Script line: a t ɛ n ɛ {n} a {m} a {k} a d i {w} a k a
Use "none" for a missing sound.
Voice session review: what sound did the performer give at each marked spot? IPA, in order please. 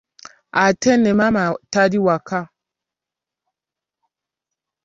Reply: m, m, t, w

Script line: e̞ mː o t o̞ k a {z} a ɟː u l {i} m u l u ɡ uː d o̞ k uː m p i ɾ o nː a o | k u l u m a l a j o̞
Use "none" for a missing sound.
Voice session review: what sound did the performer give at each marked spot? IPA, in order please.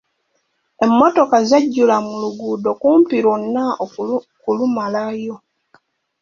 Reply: z, a

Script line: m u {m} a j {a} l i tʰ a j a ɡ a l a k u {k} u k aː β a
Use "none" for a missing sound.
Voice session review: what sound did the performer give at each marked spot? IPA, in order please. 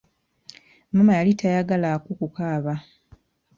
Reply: m, a, k

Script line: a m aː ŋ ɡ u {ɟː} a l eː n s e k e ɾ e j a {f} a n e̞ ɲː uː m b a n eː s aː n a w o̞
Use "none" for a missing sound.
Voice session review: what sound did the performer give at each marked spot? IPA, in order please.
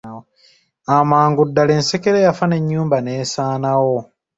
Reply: dː, f

